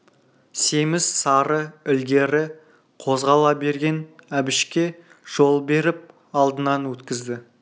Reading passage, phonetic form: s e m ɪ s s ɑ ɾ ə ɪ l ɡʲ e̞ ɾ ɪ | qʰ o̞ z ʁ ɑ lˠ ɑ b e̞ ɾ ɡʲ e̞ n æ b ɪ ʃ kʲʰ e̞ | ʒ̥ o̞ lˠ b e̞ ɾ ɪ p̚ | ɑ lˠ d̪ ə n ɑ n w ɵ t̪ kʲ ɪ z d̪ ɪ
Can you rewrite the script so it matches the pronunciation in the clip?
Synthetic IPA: s e m ɪ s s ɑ ɾ ə ɪ l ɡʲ e̞ ɾ ɪ | qʰ o̞ z ʁ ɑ lˠ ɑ b e̞ ɾ ɡʲ e̞ n æ b ɪ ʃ kʲ e̞ | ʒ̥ o̞ lˠ b e̞ ɾ ɪ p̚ | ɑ lˠ d̪ ə n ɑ n w ɵ t̪ kʲ ɪ z d̪ ɪ